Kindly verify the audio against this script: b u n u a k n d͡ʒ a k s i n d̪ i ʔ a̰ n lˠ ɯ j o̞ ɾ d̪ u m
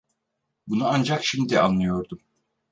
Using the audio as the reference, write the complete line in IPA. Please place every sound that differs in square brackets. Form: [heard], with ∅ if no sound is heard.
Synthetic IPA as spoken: b u n u a [∅] n d͡ʒ a k [ʃ] i [m] d̪ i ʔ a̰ n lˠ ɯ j o̞ ɾ d̪ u m